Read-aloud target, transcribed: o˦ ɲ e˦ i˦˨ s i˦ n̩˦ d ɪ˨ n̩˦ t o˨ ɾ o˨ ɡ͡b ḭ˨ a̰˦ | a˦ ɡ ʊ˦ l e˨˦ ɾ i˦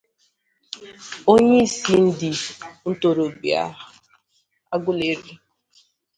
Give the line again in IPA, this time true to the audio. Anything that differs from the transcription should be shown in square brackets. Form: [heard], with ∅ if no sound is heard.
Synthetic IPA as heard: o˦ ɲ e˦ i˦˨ s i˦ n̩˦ d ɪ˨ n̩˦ t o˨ ɾ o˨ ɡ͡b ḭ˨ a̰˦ | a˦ ɡ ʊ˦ l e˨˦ ɾ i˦